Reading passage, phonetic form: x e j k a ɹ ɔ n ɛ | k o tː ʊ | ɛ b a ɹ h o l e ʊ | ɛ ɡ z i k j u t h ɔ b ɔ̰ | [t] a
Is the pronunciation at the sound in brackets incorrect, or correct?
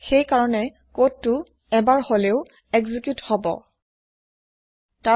correct